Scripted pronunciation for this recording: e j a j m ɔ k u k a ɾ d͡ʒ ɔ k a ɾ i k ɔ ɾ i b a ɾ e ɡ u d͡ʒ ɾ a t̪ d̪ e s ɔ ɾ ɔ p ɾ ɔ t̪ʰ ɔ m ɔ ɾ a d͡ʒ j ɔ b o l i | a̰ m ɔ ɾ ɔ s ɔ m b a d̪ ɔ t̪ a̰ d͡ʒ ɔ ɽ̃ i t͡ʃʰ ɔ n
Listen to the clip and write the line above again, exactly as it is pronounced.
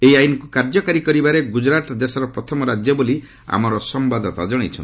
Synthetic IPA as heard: e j a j n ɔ k u k a ɾ d͡ʒ ɔ k a ɾ i k ɔ ɾ i b a ɾ e ɡ u d͡ʒ ɾ a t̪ d̪ e s ɔ ɾ ɔ p ɾ ɔ t̪ʰ ɔ m ɔ ɾ a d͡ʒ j ɔ b o l i | a̰ m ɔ ɾ ɔ s ɔ m b a d̪ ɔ t̪ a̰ d͡ʒ ɔ ɽ̃ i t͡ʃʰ ɔ n